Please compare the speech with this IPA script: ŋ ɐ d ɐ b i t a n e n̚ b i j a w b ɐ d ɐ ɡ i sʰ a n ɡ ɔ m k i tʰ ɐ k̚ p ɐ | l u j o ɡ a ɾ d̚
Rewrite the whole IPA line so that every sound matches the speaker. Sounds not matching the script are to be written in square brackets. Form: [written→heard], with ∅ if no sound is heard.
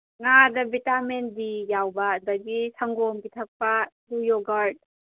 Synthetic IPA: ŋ [ɐ→a] d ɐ b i t a [n→m] e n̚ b i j a w b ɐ d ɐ ɡ i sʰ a [n→ŋ] ɡ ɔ m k i tʰ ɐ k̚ p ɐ | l u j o ɡ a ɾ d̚